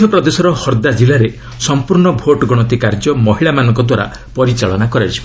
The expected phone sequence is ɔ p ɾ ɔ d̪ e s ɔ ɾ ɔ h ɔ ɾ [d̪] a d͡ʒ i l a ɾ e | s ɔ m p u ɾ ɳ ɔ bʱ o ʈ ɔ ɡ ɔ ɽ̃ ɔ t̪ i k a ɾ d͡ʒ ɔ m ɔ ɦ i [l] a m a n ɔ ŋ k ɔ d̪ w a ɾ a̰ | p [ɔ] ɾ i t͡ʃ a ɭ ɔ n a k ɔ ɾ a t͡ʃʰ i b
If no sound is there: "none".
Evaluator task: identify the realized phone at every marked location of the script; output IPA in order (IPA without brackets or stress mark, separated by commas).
d̪, ɭ, ɔ